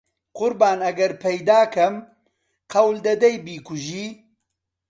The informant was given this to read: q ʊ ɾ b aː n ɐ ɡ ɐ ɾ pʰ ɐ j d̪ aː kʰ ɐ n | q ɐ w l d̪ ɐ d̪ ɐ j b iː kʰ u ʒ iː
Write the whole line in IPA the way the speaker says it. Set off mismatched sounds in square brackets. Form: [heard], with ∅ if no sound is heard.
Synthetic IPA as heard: q ʊ ɾ b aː n ɐ ɡ ɐ ɾ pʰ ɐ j d̪ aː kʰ ɐ [m] | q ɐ w l d̪ ɐ d̪ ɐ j b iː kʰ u ʒ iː